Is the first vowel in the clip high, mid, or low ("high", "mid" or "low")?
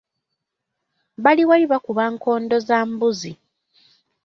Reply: low